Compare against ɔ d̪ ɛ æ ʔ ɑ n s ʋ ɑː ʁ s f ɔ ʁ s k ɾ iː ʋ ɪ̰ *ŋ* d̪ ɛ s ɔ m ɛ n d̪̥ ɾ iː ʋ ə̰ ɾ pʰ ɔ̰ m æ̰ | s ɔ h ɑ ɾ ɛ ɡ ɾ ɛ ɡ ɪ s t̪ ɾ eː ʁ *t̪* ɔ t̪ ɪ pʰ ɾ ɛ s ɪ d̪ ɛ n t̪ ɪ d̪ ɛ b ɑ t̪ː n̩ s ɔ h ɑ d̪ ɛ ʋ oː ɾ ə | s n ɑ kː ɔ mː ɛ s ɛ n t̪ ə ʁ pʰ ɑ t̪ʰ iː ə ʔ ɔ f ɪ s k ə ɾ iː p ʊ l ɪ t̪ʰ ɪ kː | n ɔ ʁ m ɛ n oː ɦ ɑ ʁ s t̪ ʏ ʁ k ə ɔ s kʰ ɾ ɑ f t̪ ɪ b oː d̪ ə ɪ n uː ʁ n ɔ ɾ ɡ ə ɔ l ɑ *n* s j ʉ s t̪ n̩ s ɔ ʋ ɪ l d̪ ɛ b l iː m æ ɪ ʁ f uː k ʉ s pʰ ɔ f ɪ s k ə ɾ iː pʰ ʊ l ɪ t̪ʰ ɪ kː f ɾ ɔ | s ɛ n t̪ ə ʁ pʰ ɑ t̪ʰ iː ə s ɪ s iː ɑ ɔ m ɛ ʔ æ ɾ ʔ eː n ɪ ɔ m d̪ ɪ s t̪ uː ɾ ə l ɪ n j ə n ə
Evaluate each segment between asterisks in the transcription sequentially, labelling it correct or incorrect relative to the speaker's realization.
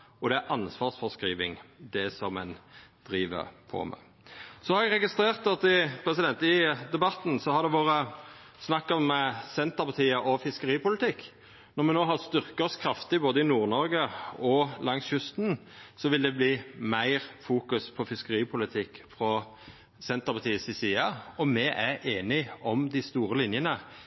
correct, correct, incorrect: ŋ

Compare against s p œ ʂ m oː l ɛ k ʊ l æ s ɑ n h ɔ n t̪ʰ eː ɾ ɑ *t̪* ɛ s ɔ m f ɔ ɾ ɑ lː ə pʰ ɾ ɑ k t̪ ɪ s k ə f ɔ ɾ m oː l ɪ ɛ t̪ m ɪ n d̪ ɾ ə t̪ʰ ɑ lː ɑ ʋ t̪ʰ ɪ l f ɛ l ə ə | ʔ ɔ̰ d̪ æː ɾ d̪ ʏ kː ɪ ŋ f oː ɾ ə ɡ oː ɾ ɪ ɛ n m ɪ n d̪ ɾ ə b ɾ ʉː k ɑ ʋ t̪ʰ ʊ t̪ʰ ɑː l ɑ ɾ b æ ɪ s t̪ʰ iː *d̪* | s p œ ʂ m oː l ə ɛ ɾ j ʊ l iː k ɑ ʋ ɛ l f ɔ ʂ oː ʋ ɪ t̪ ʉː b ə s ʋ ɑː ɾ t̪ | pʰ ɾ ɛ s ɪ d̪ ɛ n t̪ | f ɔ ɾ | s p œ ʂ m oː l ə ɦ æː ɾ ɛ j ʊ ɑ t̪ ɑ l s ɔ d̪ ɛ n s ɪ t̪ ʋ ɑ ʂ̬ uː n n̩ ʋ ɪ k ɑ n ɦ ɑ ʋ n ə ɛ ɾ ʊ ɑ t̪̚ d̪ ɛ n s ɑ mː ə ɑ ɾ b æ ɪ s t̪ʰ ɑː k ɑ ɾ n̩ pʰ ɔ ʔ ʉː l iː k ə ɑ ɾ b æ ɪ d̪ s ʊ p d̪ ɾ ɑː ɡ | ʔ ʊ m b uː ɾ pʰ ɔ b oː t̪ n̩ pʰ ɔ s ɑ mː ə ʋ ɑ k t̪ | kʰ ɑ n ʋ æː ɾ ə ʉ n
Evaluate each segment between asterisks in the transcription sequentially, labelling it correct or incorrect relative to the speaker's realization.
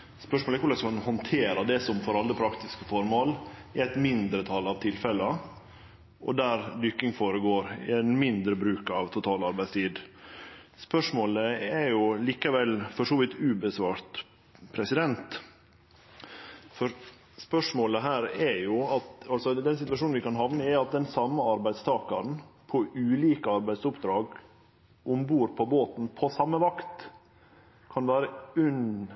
incorrect: d̪, correct

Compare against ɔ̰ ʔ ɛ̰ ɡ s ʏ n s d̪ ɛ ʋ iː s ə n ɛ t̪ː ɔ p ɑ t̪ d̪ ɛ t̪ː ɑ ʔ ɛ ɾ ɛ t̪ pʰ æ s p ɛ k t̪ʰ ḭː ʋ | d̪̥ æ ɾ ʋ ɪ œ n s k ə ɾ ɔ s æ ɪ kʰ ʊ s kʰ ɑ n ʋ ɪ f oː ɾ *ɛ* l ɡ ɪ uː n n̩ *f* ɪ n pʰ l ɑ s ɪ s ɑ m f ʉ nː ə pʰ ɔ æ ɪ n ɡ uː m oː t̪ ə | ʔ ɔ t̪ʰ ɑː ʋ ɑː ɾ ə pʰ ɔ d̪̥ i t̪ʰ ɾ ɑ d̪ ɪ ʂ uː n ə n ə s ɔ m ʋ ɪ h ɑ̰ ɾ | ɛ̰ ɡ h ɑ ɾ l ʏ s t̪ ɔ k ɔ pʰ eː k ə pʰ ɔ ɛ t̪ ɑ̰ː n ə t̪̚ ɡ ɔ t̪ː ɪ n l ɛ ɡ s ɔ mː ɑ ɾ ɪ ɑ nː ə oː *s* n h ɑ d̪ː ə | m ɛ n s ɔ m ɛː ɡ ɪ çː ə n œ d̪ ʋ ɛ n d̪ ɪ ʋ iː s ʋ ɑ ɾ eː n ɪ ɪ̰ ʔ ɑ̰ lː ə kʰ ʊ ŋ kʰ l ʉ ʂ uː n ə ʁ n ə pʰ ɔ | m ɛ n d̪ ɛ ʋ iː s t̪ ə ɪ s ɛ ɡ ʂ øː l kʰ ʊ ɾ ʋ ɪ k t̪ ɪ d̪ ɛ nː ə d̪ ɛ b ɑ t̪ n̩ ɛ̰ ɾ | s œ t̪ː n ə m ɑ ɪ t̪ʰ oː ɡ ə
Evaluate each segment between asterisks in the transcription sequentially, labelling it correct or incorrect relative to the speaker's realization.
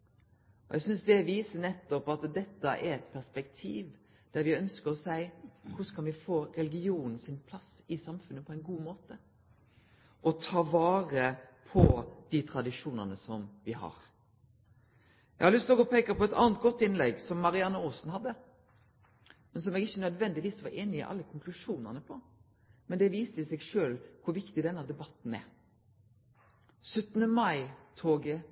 correct, incorrect: s, correct

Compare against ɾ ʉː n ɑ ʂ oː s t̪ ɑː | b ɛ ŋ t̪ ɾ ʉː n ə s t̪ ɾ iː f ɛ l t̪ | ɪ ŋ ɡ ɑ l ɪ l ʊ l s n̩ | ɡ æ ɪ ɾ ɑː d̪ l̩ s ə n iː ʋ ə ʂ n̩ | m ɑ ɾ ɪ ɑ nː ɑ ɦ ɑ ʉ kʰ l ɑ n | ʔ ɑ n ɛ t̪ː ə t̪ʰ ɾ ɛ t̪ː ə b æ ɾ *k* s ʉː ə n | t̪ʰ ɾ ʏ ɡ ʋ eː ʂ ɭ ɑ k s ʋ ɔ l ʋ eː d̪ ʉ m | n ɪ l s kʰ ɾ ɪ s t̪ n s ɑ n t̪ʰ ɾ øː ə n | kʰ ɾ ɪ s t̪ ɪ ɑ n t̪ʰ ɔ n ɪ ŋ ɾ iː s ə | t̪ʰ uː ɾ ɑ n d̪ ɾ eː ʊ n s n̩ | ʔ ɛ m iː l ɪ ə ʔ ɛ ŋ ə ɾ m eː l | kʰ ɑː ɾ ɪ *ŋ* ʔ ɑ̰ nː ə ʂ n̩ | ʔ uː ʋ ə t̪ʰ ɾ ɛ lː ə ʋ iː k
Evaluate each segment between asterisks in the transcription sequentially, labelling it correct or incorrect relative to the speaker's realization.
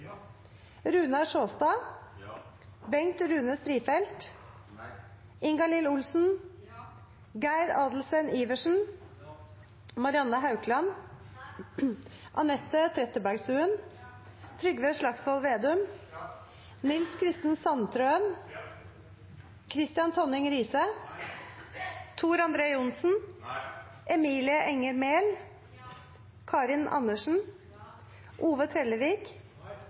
incorrect: ɡ, incorrect: n

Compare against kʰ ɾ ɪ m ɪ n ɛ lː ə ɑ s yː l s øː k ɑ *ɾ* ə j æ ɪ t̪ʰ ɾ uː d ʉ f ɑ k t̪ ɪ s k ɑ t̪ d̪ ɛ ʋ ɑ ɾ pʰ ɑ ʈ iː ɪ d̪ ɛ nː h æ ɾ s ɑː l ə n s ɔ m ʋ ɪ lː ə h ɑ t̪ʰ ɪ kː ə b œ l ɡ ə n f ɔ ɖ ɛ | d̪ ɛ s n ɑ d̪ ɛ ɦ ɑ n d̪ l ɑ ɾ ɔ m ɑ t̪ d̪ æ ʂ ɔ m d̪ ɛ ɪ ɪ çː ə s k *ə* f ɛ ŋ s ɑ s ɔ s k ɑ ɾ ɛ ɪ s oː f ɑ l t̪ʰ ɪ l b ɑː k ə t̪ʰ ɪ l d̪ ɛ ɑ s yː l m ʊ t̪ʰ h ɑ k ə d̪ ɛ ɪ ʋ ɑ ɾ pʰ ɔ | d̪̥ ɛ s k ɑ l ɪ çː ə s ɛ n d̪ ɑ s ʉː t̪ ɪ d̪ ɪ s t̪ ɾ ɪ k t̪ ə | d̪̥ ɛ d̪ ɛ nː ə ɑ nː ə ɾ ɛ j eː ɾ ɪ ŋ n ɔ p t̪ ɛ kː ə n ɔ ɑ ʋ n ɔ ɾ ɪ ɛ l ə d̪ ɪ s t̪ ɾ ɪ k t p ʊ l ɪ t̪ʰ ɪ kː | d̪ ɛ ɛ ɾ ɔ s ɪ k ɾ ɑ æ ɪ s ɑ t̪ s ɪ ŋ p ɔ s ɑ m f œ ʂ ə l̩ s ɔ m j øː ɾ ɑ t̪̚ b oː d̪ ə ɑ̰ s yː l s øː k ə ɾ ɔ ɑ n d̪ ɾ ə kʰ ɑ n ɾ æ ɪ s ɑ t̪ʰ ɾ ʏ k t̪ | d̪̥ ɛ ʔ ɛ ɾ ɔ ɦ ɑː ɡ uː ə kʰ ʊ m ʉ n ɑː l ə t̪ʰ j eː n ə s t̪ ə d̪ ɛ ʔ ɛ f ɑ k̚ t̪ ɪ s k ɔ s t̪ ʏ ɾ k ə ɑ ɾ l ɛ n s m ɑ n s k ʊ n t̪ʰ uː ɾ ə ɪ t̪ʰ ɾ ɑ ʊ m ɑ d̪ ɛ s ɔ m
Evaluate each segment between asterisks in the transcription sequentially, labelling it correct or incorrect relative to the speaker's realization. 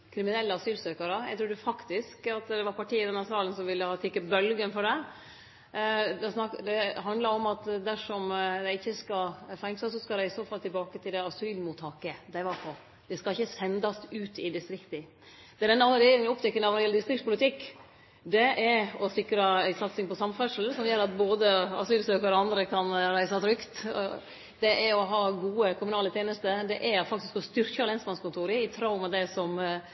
correct, incorrect: ɑ

